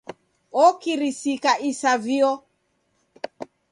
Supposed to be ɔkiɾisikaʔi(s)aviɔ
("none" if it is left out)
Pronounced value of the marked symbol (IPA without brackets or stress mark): s